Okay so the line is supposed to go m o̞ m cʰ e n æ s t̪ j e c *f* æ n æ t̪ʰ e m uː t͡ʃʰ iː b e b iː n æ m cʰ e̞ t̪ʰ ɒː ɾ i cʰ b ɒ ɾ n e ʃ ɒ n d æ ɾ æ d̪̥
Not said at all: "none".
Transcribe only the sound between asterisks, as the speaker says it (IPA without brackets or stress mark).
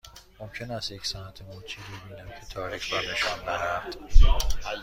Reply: s